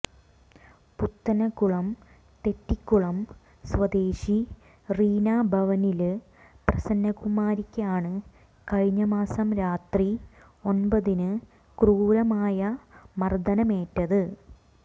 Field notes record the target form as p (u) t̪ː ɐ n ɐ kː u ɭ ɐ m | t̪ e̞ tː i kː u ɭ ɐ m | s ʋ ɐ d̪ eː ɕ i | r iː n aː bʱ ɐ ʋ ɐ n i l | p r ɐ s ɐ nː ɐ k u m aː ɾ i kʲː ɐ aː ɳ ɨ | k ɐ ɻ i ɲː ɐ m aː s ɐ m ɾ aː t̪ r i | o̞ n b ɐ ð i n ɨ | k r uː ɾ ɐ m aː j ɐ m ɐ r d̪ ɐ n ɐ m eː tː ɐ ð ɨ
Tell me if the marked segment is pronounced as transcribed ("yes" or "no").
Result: yes